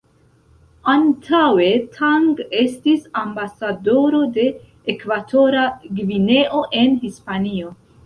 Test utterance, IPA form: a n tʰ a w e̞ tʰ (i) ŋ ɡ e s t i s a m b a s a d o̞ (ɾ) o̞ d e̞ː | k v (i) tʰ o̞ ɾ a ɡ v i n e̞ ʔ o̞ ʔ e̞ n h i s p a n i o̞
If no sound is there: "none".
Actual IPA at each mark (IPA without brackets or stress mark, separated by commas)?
a, ɾ, a